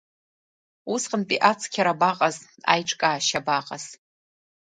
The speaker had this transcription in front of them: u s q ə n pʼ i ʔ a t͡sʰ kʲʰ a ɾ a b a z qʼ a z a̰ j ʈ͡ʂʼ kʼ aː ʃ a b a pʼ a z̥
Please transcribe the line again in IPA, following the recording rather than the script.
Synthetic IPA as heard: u s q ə n pʼ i ʔ a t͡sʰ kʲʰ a ɾ a b a qʼ a z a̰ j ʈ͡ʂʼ kʼ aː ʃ a b a qʼ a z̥